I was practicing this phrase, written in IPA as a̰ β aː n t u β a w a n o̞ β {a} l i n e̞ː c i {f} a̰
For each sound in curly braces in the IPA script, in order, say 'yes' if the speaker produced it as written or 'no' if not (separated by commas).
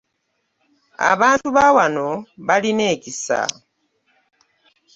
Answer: yes, no